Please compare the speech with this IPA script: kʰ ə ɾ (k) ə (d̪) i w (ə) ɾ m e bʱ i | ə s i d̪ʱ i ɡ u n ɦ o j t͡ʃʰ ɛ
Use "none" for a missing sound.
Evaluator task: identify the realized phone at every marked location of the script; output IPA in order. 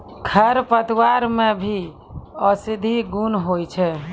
p, t̪, a

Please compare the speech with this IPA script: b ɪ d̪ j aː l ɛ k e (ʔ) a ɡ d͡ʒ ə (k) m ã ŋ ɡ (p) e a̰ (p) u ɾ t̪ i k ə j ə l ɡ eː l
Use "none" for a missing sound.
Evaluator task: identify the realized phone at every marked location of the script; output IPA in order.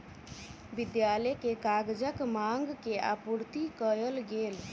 k, k, k, p

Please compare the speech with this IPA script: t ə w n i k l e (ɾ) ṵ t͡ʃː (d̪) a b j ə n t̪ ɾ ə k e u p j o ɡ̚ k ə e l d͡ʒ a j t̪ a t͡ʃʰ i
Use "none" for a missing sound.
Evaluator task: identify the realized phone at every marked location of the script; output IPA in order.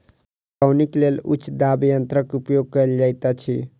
l, d̪

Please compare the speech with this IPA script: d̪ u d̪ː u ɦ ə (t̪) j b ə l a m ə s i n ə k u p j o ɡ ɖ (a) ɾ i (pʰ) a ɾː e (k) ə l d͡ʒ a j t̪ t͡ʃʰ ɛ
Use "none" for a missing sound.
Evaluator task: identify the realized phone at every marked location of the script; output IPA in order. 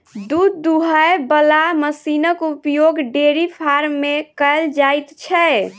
none, e, pʰ, k

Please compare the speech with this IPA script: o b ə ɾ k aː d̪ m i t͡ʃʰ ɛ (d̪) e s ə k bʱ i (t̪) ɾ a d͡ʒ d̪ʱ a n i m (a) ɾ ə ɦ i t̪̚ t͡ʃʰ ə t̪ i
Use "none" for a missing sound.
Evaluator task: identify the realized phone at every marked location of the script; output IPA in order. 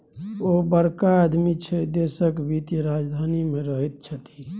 d̪, t̪, e

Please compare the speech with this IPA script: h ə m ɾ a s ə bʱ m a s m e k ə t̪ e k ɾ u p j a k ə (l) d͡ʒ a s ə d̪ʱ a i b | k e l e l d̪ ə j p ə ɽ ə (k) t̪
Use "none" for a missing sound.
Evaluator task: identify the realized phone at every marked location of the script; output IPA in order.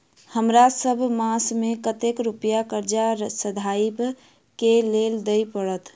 ɾ, none

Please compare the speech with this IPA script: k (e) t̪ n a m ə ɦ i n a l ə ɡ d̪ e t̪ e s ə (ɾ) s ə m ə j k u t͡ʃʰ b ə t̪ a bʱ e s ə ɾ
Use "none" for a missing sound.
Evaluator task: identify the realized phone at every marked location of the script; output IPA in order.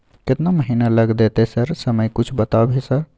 e, ɾ

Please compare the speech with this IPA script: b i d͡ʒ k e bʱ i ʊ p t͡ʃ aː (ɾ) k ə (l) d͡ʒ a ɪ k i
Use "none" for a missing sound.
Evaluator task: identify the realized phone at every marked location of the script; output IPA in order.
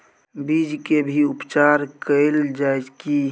ɾ, l

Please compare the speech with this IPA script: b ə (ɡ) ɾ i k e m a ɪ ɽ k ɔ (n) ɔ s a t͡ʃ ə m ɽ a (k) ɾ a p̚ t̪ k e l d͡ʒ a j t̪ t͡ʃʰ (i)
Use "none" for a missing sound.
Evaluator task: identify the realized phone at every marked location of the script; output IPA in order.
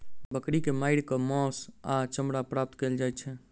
k, m, p, ɛ

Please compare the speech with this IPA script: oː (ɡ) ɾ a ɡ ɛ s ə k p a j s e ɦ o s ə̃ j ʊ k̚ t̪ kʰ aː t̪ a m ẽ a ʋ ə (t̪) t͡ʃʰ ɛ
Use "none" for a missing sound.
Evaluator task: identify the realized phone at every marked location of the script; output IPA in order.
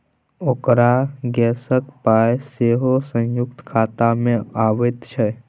k, t̪

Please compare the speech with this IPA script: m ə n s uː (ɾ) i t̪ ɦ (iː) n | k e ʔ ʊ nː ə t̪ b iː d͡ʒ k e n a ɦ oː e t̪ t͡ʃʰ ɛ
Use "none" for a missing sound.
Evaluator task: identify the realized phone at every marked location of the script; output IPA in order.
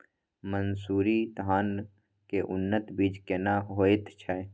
ɾ, aː

